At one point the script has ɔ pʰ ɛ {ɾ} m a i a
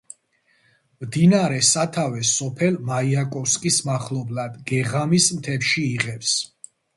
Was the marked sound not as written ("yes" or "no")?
yes